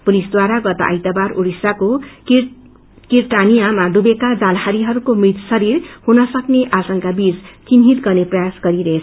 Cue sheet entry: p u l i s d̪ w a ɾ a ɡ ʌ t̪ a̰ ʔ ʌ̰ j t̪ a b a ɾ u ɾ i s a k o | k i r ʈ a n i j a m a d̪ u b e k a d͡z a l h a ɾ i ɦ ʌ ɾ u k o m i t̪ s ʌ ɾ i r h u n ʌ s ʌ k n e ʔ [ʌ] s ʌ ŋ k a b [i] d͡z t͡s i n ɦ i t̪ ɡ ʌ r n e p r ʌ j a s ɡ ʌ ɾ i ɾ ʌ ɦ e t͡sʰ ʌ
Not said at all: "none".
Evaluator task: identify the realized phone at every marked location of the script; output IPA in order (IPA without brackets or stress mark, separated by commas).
a, i